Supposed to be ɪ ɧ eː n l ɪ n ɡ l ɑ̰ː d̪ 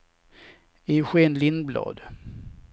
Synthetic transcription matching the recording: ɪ ɧ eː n l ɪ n b l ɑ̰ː d̪